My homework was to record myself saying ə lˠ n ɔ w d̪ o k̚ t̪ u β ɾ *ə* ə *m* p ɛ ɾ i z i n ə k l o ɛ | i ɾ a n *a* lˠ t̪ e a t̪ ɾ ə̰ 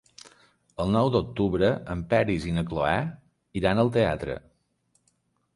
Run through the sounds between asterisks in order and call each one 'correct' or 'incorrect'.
correct, correct, incorrect

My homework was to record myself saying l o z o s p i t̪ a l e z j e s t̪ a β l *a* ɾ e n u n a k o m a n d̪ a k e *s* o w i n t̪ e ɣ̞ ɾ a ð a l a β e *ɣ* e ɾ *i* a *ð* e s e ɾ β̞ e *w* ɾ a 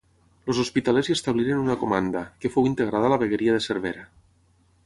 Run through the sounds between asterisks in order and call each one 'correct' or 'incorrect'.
incorrect, incorrect, correct, correct, correct, incorrect

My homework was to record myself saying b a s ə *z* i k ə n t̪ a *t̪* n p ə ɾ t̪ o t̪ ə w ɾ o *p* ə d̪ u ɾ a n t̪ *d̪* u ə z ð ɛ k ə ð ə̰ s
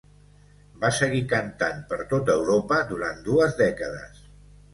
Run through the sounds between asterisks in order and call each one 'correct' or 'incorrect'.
incorrect, incorrect, correct, correct

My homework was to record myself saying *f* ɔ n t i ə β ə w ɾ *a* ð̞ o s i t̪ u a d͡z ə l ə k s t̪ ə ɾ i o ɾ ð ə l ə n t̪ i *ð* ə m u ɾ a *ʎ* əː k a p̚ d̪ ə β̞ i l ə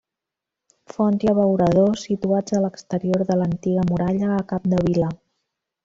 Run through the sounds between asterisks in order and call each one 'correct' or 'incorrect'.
correct, incorrect, incorrect, correct

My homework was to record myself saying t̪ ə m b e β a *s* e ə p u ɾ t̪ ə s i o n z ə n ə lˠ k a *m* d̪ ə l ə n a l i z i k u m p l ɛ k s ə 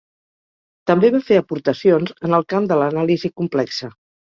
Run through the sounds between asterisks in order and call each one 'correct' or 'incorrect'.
incorrect, correct

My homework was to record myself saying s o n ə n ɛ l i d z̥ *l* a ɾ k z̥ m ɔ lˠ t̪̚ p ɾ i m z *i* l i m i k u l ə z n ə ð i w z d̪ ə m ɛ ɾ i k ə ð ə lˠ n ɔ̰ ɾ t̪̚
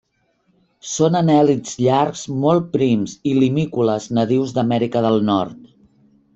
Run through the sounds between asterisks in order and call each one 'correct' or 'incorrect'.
incorrect, correct

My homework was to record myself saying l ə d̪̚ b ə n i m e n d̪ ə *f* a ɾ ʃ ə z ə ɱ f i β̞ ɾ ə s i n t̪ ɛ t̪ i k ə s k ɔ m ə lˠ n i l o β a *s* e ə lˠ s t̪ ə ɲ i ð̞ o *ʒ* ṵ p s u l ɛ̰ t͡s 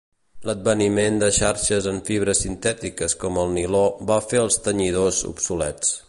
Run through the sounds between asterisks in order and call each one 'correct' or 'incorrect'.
incorrect, incorrect, incorrect

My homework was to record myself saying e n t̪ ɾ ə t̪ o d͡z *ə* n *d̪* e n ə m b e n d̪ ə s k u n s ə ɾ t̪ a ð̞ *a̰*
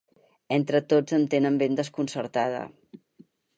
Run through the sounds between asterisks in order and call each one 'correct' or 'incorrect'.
correct, incorrect, incorrect

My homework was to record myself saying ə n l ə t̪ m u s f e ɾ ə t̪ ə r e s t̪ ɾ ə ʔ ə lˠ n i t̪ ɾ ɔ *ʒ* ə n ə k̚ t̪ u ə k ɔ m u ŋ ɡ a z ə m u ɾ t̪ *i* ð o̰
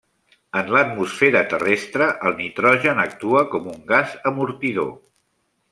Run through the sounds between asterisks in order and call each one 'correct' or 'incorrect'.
correct, correct

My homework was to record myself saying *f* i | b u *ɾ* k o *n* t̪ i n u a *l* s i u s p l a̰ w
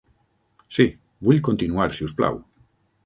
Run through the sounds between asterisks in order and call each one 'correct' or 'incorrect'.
incorrect, incorrect, correct, incorrect

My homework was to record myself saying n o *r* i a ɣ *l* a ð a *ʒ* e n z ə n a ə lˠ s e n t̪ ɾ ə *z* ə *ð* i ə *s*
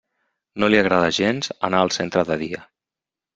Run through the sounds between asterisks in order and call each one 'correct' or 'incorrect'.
incorrect, incorrect, correct, incorrect, correct, incorrect

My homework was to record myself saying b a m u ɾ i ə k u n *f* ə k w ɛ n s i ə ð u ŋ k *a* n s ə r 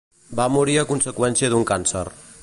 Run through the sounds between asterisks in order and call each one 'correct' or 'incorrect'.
incorrect, correct

